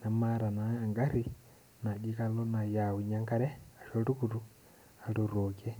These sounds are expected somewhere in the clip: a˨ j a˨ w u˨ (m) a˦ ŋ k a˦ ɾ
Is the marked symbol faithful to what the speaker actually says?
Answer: no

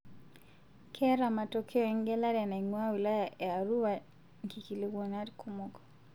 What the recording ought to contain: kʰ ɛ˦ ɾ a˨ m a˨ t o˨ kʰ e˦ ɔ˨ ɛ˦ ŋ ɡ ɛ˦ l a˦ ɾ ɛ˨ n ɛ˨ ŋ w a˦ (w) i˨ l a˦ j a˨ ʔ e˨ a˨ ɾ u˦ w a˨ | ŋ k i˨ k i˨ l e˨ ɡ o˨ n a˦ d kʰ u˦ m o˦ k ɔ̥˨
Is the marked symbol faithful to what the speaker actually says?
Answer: yes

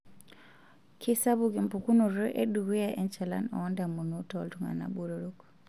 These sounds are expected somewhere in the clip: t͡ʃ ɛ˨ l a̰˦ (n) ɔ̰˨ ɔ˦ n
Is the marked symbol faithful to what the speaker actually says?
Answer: yes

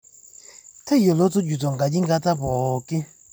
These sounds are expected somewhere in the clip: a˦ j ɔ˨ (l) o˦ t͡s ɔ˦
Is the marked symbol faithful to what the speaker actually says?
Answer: yes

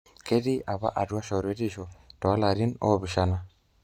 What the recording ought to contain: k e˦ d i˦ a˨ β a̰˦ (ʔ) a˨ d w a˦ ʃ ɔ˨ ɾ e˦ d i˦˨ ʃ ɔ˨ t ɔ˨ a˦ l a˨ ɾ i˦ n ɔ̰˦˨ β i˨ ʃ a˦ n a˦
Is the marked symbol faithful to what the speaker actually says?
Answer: yes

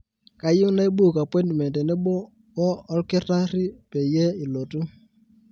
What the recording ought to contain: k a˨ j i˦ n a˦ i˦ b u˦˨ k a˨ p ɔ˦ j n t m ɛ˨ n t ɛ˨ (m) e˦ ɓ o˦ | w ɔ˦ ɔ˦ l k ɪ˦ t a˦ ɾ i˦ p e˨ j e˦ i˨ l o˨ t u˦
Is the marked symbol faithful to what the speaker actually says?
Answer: no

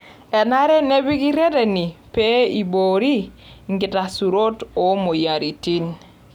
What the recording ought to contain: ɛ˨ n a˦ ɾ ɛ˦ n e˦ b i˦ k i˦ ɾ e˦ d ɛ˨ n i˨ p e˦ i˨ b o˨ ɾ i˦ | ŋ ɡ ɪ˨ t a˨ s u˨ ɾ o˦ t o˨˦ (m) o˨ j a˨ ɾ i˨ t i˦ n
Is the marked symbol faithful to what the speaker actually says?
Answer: yes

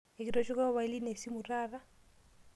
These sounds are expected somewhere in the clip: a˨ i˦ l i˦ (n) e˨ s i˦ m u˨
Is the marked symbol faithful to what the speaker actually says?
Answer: yes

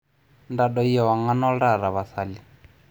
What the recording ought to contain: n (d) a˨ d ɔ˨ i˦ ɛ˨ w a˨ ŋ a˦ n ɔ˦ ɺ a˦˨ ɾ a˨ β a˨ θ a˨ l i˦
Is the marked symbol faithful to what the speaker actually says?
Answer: yes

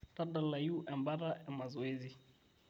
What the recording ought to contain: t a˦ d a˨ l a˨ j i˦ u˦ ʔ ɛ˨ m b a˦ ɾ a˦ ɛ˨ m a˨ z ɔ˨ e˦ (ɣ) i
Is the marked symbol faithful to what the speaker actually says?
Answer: no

